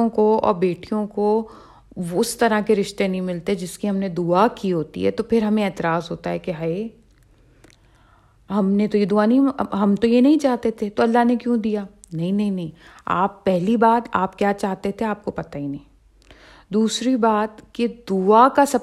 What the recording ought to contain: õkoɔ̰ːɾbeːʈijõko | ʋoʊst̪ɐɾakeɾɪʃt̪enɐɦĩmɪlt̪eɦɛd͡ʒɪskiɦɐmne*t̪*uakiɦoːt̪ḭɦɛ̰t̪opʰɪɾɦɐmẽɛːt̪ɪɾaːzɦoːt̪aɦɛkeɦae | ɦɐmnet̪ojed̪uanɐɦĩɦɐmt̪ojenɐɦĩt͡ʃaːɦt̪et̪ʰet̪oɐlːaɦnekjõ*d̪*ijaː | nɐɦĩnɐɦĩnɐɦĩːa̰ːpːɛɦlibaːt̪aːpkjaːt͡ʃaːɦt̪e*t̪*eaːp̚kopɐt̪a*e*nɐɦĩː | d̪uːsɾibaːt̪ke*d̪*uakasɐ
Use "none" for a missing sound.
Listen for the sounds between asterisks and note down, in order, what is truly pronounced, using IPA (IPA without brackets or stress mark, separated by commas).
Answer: d̪, d̪, t̪ʰ, i, d̪